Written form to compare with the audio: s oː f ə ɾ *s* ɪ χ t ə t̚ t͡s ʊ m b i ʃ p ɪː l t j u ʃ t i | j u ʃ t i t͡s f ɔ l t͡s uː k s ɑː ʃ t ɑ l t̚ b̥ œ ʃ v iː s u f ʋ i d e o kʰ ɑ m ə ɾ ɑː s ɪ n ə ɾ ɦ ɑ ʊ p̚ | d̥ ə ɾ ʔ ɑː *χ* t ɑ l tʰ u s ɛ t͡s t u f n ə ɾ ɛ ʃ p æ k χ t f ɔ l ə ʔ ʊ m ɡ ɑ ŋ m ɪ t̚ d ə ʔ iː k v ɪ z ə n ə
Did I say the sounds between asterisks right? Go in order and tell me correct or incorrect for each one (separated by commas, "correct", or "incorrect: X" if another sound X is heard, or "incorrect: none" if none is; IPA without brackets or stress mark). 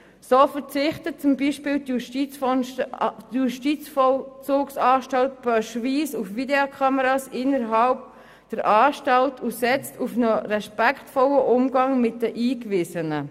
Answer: incorrect: t͡s, incorrect: ʃ